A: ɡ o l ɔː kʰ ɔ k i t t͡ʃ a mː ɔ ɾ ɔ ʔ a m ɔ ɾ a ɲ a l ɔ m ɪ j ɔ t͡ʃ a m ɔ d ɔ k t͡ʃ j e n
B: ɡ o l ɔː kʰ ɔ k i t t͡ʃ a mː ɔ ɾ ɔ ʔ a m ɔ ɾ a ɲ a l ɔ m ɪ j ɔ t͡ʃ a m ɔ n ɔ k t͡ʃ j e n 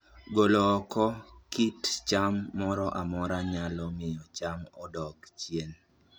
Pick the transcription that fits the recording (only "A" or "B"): A